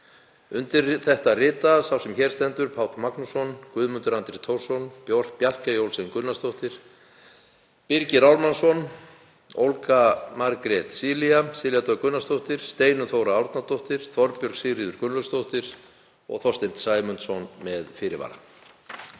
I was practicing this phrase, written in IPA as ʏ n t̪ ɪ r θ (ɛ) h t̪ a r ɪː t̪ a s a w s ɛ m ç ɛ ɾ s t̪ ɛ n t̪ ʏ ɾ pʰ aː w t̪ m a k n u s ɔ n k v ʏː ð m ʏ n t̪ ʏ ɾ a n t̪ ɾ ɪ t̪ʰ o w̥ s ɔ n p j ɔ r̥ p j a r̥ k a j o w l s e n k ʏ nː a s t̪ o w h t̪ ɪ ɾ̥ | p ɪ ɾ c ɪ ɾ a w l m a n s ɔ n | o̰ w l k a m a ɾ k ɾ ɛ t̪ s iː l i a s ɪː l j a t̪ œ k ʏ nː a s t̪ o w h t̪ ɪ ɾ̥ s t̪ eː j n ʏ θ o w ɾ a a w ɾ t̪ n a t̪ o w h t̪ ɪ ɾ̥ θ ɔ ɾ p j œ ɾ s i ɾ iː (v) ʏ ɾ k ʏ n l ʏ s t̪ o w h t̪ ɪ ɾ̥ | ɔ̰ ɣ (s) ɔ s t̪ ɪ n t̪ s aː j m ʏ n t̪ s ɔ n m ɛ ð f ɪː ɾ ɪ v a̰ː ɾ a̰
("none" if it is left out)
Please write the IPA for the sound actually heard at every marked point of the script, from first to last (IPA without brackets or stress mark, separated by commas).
ɛ, ð, θ